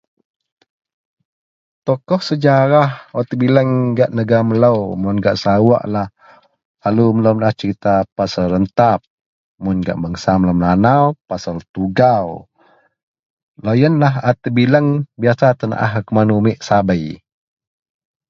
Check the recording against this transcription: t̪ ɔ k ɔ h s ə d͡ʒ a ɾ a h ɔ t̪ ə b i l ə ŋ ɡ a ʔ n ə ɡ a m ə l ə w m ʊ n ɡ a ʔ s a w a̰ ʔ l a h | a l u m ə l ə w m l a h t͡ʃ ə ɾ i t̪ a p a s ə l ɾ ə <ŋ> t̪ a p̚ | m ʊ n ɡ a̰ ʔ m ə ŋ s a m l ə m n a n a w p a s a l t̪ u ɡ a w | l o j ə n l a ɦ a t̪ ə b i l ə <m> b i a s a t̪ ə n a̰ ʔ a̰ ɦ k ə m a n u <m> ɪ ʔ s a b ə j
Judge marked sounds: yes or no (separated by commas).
no, no, yes